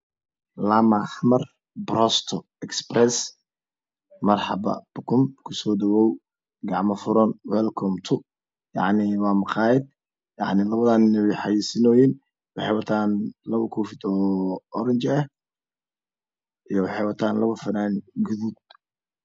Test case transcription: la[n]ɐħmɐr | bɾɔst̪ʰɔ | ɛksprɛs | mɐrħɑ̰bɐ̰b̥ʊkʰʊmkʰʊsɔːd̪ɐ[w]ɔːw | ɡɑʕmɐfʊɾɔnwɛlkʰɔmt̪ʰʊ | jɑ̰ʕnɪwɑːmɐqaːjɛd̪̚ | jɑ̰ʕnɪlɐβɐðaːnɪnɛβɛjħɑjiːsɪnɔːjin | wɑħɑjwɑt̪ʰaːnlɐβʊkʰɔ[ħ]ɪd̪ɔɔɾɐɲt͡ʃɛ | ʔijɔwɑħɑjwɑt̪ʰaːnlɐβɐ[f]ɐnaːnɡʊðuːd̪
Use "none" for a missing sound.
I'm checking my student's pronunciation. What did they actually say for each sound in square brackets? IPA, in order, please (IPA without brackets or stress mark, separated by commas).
m, w, f, f